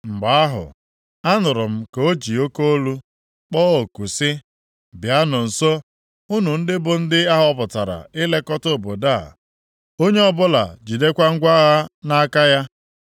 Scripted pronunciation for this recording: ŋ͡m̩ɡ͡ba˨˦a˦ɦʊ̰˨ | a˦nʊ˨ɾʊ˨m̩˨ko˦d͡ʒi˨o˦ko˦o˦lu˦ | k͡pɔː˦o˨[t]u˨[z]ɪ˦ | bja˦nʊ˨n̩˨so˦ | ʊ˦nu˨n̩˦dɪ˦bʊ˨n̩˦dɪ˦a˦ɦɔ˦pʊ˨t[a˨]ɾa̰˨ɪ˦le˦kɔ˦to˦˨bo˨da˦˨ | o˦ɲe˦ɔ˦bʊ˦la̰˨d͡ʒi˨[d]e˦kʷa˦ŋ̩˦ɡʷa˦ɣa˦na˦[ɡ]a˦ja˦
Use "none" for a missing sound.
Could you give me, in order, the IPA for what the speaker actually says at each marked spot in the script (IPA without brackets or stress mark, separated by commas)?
k, s, a˨, d, k